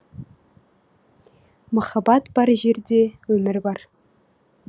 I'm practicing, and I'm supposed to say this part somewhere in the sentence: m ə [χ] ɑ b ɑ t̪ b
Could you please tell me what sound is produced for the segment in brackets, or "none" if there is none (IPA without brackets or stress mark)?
χ